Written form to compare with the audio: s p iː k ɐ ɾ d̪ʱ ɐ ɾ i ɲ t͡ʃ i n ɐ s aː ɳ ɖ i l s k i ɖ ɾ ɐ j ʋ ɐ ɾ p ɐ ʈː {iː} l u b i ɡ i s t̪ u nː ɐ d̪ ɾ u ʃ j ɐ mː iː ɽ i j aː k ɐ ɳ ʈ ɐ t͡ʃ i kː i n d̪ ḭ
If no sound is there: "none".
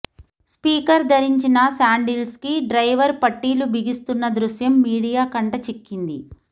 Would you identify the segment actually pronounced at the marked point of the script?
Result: iː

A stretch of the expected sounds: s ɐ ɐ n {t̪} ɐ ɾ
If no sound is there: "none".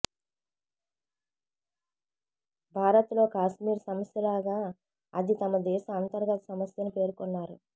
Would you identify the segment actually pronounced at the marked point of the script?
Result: t̪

